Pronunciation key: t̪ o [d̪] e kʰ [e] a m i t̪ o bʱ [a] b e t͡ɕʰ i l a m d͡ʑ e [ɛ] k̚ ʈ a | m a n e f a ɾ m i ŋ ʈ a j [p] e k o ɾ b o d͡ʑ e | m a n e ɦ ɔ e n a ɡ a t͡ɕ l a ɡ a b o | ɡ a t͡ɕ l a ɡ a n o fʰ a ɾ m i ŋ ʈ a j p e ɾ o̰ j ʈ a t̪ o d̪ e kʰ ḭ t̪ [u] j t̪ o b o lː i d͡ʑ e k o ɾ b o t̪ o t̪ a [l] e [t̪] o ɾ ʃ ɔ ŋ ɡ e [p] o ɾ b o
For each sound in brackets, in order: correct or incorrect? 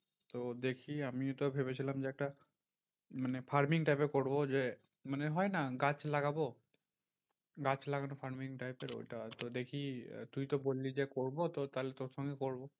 correct, incorrect, incorrect, correct, correct, correct, correct, correct, incorrect

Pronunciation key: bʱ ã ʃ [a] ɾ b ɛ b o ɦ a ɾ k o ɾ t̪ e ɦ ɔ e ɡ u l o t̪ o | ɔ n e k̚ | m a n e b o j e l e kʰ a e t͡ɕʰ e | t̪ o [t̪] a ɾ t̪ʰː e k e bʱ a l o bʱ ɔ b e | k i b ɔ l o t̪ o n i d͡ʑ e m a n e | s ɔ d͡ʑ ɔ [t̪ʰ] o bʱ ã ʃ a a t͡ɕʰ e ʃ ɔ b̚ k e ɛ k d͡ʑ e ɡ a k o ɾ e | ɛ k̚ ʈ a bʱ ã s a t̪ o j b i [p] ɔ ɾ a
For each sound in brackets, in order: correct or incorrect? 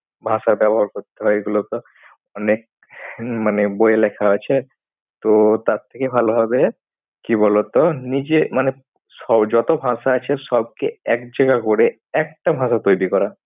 correct, correct, incorrect, incorrect

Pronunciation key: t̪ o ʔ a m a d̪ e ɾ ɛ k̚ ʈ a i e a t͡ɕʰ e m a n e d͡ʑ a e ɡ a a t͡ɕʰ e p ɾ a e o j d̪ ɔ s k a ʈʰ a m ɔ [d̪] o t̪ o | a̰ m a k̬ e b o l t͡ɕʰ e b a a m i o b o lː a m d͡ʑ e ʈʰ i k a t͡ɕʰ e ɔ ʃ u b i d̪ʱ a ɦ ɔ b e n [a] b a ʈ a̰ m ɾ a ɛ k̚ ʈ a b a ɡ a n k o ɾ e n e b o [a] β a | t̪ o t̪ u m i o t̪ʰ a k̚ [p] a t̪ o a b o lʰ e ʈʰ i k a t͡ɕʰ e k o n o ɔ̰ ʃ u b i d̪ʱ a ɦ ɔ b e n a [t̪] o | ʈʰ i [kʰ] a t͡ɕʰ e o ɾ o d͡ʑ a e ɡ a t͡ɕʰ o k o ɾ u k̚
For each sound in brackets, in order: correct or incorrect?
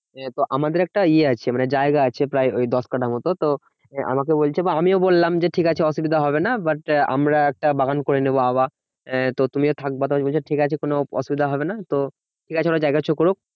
incorrect, correct, correct, incorrect, correct, incorrect

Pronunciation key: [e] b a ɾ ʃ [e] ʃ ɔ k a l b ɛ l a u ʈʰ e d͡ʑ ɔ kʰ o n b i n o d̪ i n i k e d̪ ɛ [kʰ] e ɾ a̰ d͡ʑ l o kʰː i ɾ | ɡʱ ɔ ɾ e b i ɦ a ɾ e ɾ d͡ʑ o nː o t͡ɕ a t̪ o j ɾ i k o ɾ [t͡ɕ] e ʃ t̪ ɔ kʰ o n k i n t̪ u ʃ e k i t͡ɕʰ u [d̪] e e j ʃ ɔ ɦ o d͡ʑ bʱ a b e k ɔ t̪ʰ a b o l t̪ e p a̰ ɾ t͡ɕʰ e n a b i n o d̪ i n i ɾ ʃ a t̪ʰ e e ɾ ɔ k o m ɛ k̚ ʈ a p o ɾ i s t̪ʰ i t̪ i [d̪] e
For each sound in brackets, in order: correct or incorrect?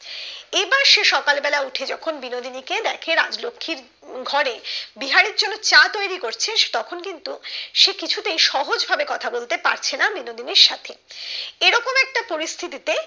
correct, correct, correct, incorrect, incorrect, incorrect

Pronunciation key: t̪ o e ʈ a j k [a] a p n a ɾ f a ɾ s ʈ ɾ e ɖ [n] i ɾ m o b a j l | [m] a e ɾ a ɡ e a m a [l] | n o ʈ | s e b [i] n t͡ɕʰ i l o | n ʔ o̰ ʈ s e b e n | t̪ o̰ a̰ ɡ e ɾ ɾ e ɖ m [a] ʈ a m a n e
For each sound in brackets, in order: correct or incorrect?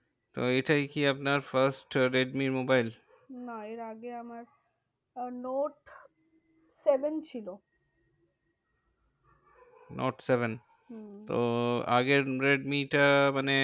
incorrect, incorrect, incorrect, incorrect, incorrect, incorrect

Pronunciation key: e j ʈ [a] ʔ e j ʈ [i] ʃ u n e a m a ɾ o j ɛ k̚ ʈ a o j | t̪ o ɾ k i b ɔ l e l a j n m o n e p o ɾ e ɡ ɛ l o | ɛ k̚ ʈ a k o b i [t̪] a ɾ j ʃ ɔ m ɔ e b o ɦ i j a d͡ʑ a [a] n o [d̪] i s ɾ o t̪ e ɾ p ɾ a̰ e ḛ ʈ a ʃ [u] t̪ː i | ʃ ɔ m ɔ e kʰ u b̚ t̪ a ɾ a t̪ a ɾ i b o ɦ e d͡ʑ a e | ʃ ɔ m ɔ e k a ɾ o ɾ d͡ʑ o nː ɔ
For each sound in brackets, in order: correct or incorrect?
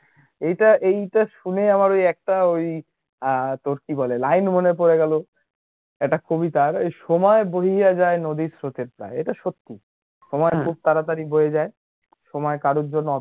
correct, incorrect, correct, incorrect, correct, incorrect

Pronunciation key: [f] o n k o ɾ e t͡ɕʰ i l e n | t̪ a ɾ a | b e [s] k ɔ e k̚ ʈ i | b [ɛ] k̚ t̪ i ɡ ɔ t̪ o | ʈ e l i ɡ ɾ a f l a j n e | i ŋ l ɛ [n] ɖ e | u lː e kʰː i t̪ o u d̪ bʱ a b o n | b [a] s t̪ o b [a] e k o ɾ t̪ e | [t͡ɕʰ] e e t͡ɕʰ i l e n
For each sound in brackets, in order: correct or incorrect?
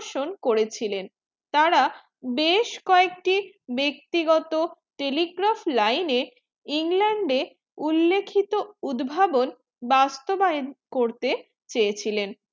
incorrect, incorrect, incorrect, incorrect, correct, correct, incorrect

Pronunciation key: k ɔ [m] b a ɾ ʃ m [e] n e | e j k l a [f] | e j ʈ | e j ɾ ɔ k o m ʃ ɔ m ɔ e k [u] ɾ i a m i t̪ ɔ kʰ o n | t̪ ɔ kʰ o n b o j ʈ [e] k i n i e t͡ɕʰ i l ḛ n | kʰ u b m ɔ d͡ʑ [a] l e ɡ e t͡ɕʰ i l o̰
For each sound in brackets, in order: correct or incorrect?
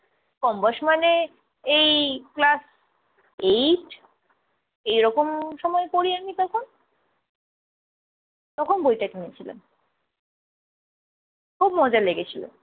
correct, incorrect, incorrect, incorrect, incorrect, correct

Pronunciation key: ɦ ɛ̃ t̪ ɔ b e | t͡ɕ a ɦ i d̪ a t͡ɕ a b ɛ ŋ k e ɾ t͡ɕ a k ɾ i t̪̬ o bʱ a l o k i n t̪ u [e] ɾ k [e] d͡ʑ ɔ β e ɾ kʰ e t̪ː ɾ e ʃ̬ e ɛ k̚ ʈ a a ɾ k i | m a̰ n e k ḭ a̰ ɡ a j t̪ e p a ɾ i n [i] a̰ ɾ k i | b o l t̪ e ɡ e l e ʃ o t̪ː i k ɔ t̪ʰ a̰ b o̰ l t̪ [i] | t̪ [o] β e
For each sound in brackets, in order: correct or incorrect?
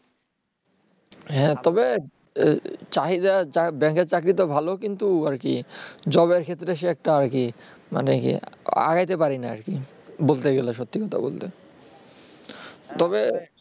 incorrect, incorrect, incorrect, incorrect, incorrect

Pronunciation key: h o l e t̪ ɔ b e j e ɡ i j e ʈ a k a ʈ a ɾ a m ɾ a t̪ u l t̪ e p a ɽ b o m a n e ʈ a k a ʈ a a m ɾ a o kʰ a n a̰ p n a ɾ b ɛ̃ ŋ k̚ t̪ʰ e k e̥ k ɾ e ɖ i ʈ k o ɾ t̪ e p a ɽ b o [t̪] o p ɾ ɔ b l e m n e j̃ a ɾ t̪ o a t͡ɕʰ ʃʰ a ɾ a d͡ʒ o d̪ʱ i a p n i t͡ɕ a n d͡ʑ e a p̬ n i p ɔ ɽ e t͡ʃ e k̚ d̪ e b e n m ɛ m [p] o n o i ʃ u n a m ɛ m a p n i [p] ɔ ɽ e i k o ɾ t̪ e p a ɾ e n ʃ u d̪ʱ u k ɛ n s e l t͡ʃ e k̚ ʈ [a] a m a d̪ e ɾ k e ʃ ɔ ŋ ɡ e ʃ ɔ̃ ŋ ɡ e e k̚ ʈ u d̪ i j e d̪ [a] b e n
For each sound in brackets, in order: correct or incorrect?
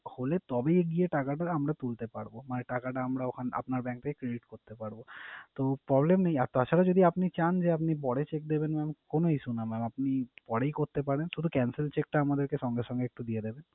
correct, incorrect, correct, correct, incorrect

